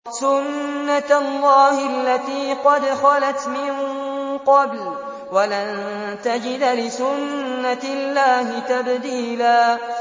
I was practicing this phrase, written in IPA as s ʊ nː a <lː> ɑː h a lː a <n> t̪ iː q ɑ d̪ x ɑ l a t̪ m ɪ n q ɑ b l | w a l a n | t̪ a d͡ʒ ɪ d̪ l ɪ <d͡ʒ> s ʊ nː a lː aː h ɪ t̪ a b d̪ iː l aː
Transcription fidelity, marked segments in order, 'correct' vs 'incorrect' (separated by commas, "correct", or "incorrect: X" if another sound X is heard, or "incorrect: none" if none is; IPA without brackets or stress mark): correct, incorrect: none, incorrect: none